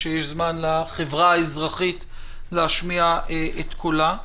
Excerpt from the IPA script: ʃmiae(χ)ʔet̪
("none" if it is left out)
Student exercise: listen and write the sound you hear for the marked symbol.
none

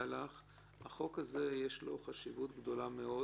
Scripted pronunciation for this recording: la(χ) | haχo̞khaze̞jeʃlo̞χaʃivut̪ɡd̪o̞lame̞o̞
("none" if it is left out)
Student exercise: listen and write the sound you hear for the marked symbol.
χ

